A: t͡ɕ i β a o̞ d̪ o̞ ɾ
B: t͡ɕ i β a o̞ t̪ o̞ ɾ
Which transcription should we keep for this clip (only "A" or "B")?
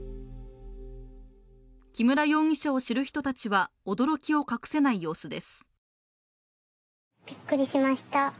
A